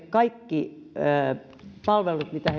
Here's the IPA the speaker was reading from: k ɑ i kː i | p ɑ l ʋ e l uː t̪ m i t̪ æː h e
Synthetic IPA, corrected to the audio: k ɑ i kː i | p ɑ l ʋ e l u t̪ m i t̪ æ h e